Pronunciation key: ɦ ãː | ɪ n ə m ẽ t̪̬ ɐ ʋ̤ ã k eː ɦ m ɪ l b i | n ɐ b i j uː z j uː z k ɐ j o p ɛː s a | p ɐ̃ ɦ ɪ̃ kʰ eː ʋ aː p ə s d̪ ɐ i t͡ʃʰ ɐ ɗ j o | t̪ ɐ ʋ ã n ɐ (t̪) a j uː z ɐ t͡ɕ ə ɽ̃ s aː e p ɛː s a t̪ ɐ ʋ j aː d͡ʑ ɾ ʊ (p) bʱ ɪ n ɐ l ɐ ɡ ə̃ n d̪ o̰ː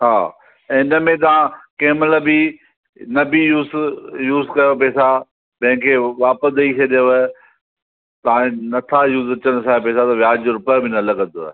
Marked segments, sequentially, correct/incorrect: incorrect: t̪ʰ, correct

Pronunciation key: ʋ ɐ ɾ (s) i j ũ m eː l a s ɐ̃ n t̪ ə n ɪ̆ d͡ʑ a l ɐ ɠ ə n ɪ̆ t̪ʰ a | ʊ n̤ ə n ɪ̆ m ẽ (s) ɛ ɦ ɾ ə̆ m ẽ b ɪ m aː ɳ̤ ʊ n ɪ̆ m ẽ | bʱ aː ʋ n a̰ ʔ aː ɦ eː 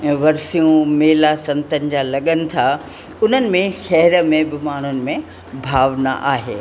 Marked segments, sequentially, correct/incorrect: correct, incorrect: ʃ

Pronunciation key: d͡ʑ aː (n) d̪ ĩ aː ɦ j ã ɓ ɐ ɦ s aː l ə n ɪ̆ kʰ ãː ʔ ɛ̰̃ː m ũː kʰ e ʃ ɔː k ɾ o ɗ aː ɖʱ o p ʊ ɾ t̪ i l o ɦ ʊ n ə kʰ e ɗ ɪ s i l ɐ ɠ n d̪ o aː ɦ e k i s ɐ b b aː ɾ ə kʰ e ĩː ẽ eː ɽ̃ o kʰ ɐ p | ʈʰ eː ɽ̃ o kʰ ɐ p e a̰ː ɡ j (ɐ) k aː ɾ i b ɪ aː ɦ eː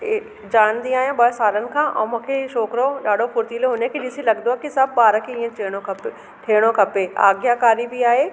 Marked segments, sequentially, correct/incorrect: correct, incorrect: a

